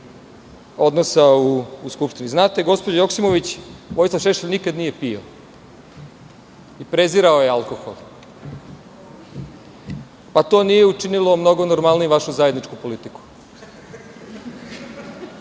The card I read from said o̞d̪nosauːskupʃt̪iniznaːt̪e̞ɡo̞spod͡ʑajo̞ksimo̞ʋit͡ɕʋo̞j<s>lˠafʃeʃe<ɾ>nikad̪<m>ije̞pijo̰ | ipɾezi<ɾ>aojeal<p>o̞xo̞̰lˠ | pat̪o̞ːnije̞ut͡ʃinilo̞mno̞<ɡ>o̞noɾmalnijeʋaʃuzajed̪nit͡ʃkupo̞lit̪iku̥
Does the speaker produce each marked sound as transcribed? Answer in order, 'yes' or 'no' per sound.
yes, no, no, yes, no, yes

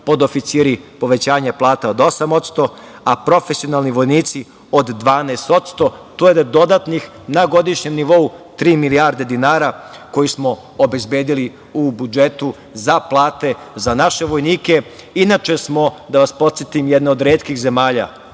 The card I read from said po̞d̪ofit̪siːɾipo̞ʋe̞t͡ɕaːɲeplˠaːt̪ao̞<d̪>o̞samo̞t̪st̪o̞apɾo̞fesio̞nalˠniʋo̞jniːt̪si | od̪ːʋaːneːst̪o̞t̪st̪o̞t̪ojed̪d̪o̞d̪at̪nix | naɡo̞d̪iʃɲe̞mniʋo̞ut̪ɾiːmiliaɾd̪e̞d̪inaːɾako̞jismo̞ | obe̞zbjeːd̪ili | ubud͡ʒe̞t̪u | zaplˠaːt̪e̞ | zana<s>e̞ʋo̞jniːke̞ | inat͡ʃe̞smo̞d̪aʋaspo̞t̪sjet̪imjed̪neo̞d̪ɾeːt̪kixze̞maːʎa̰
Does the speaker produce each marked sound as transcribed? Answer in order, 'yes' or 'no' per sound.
yes, no

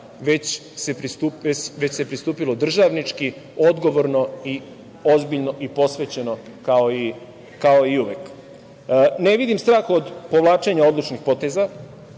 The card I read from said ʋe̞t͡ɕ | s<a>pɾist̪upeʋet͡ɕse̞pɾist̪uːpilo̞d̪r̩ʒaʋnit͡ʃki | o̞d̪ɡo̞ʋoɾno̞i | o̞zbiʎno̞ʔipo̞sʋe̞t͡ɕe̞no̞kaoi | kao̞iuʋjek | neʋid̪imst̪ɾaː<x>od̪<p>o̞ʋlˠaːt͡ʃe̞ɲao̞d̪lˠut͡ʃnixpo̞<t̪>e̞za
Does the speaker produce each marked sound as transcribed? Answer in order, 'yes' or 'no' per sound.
no, yes, yes, yes

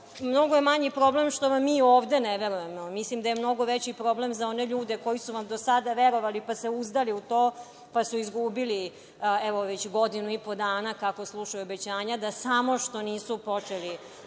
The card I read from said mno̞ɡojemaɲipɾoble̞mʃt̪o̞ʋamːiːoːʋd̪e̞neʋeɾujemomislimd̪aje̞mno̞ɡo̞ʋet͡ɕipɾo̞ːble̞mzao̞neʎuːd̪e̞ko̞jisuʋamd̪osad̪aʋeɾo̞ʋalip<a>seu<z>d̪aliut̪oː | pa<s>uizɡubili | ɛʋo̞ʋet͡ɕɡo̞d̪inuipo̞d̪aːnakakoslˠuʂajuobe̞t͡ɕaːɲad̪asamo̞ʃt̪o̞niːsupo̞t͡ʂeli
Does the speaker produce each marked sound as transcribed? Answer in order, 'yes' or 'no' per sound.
yes, yes, yes

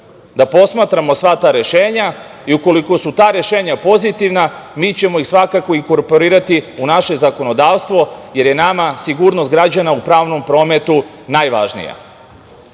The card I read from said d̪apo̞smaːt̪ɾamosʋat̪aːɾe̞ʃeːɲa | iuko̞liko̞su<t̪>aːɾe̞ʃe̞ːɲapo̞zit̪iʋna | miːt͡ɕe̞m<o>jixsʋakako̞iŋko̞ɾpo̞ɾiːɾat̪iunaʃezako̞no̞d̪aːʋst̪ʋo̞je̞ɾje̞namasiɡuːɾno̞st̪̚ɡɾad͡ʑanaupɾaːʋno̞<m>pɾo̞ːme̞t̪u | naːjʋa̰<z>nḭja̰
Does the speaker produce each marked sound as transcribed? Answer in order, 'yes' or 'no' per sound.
yes, yes, yes, no

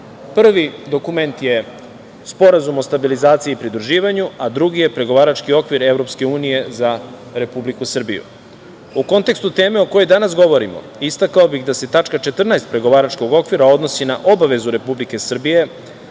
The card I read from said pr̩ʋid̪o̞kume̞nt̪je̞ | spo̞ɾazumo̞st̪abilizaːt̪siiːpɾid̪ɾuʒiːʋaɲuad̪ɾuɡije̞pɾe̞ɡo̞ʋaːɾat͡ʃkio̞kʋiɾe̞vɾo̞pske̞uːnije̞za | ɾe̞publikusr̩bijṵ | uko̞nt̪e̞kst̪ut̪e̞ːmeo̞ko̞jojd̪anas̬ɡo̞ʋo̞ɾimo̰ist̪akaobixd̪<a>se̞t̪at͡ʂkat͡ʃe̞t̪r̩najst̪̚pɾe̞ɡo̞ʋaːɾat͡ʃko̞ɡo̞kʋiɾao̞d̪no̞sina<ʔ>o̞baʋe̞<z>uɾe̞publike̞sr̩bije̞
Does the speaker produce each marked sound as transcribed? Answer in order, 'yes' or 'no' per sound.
yes, yes, yes

